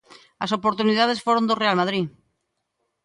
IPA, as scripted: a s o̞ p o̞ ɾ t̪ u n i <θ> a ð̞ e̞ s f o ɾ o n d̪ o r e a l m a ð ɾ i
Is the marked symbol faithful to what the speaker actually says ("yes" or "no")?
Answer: no